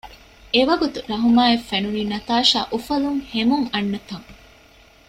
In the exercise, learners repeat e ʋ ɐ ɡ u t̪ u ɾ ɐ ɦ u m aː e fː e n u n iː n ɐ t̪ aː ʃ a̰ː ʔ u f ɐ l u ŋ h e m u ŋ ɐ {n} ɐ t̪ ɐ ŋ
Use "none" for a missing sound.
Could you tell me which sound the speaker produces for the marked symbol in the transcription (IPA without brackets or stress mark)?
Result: nː